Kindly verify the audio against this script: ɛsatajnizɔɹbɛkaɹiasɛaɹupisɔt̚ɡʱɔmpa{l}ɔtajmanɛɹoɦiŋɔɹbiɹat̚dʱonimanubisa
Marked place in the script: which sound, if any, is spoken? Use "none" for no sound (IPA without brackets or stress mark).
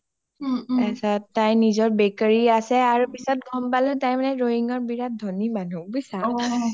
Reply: l